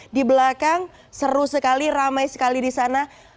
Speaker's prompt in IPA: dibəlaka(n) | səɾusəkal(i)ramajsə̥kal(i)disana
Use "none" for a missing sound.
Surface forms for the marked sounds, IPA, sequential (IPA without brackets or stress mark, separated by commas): ŋ, i, i